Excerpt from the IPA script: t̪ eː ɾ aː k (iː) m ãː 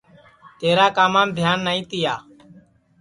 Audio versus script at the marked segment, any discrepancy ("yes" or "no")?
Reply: yes